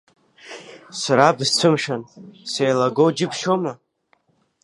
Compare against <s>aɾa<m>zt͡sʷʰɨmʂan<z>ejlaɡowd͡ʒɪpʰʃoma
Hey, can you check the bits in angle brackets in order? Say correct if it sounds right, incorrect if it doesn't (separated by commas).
correct, incorrect, incorrect